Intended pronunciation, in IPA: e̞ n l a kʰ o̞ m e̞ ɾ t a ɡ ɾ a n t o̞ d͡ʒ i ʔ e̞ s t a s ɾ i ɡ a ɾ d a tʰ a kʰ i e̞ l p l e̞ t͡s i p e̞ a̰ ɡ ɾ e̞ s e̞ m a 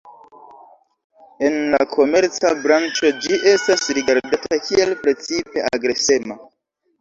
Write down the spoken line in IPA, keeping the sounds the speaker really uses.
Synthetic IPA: e̞ n l a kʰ o̞ m e̞ ɾ t͡s a b ɾ a n t͡ʃ o̞ d͡ʒ i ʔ e̞ s t a s ɾ i ɡ a ɾ d a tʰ a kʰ i e̞ l p ɾ e̞ t͡s i p e̞ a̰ ɡ ɾ e̞ s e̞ m a

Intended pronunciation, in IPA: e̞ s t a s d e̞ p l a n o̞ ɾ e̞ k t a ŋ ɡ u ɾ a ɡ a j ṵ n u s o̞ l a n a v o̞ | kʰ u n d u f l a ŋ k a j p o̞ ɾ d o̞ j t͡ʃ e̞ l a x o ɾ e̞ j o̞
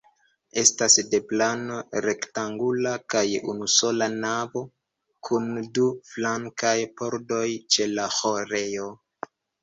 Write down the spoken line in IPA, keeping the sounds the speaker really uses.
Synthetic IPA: e̞ s t a s d e̞ p l a n o̞ ɾ e̞ k t a ŋ ɡ u l a k a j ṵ n u s o̞ l a n a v o̞ | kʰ u n d u f l a ŋ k a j p o̞ ɾ d o̞ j t͡ʃ e̞ l a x o ɾ e̞ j o̞

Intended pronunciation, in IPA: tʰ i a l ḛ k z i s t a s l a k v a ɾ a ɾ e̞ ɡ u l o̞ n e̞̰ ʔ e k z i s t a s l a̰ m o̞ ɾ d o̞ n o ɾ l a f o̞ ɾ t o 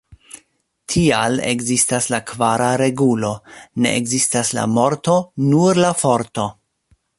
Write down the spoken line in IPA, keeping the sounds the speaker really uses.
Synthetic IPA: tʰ i a l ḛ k z i s t a s l a k v a ɾ a ɾ e̞ ɡ u l o̞ n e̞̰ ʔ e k z i s t a s l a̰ m o̞ ɾ t o̞ n u ɾ l a f o̞ ɾ t o

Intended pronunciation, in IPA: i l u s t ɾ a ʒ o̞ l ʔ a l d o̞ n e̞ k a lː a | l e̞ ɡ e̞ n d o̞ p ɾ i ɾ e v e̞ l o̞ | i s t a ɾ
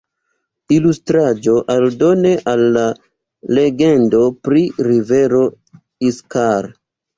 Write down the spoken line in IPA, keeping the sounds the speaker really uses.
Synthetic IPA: i l u s t ɾ a d͡ʒ o̞ ʔ a l d o̞ n e̞ ʔ a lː a | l e̞ ɡ e̞ n d o̞ p ɾ i ɾ i v e̞ ɾ o̞ | i s k a ɾ

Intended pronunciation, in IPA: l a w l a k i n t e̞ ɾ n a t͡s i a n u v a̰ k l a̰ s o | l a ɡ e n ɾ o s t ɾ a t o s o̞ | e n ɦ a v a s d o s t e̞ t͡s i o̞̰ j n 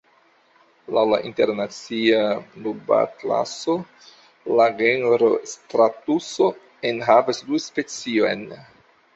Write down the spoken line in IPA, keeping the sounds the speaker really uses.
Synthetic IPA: l a w l a ʔ i n t e̞ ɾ n a t͡s i a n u b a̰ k l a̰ s o | l a ɡ e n ɾ o s t ɾ a t u s o̞ | e n ɦ a v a s d u s p e̞ t͡s i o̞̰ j n

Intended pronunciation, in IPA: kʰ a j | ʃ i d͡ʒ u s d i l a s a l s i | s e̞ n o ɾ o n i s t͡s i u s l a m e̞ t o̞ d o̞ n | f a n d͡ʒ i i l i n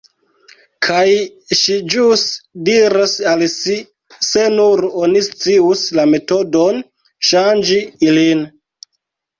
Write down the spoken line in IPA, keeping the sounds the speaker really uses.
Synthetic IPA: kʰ a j | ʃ i d͡ʒ u s d i ɾ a s a l s i | s e̞ n u ɾ o n i s t͡s i u s l a m e̞ t o̞ d o̞ n | ʃ a n d͡ʒ i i l i n

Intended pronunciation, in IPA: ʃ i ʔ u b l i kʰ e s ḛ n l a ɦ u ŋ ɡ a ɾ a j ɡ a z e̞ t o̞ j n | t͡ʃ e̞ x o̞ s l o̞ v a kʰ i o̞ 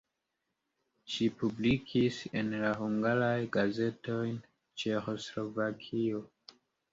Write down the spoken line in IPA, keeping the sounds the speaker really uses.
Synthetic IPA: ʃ i p u b l i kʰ i s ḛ n l a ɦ u ŋ ɡ a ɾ a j ɡ a z e̞ t o̞ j n | t͡ʃ e̞ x o̞ s l o̞ v a kʰ i o̞

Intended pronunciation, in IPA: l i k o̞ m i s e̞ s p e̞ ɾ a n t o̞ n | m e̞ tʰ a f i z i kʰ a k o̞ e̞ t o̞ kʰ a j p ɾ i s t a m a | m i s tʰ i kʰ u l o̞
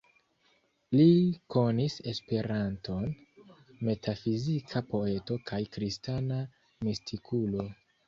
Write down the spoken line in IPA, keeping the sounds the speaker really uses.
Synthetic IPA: l i k o̞ n i s e̞ s p e̞ ɾ a n t o̞ n | m e̞ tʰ a f i z i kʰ a p o̞ e̞ t o̞ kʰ a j k ɾ i s t a n a | m i s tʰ i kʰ u l o̞

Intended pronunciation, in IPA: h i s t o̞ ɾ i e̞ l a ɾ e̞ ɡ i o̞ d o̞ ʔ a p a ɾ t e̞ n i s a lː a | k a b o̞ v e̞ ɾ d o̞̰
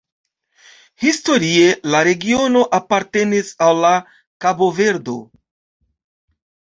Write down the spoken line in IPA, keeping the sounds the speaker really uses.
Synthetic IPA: h i s t o̞ ɾ i e̞ l a ɾ e̞ ɡ i o̞ n o̞ ʔ a p a ɾ t e̞ n i s a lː a | k a b o̞ v e̞ ɾ d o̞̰

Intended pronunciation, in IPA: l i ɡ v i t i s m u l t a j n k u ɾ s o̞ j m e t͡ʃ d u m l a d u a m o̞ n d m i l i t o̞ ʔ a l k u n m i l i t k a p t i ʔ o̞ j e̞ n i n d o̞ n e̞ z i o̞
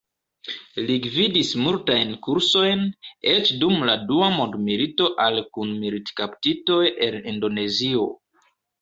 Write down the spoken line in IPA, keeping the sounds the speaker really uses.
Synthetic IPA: l i ɡ v i d i s m u l t a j n k u ɾ s o̞ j n e t͡ʃ d u m l a d u a m o̞ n d m i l i t o̞ ʔ a l k u n m i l i t k a p t i t o̞ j e̞ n i n d o̞ n e̞ z i o̞

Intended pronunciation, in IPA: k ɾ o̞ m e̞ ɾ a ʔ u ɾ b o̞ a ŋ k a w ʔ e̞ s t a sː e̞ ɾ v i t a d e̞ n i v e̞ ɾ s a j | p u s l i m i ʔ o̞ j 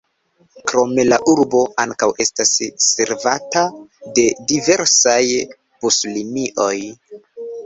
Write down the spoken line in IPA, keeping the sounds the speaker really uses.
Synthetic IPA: k ɾ o̞ m e̞ l a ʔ u ɾ b o̞ a ŋ k a w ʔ e̞ s t a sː e̞ ɾ v a t a d e̞ d i v e̞ ɾ s a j | p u s l i m i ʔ o̞ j

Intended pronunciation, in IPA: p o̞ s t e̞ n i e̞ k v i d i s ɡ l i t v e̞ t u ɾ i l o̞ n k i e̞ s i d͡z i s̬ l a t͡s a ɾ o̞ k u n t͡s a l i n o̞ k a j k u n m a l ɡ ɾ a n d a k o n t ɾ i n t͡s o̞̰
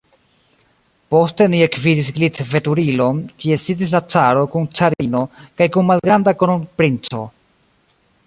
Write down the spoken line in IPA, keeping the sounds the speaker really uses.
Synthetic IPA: p o̞ s t e̞ n i e̞ k v i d i s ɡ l i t v e̞ t u ɾ i l o̞ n k i e̞ s i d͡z i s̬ l a t͡s a ɾ o̞ k u n t͡s a ɾ i n o̞ k a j k u n m a l ɡ ɾ a n d a k o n p ɾ i n t͡s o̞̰

